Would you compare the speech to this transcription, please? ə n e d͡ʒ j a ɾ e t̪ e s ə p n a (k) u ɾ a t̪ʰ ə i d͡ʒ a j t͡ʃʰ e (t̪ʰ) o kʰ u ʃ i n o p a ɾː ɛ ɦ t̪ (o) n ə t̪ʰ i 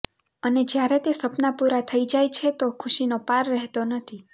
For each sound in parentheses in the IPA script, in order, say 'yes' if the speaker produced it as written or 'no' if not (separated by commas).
no, no, yes